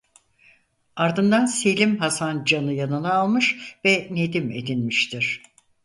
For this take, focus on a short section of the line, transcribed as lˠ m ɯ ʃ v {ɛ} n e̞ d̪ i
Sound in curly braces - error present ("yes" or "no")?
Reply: no